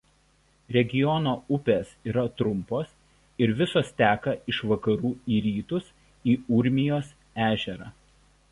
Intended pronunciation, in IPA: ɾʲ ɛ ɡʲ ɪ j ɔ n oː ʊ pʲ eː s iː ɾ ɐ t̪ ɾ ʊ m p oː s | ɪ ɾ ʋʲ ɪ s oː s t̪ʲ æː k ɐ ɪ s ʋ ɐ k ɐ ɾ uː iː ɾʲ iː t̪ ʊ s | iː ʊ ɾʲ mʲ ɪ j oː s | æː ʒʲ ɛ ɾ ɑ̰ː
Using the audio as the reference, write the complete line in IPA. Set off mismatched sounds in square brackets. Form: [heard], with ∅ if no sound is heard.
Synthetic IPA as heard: ɾʲ ɛ ɡʲ ɪ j ɔ n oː ʊ pʲ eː s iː ɾ ɐ t̪ ɾ ʊ m p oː s | ɪ ɾ ʋʲ ɪ s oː s t̪ʲ æː k ɐ ɪ [ʃ] ʋ ɐ k ɐ ɾ uː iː ɾʲ iː t̪ ʊ s | iː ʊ ɾʲ mʲ ɪ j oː s | æː ʒʲ ɛ ɾ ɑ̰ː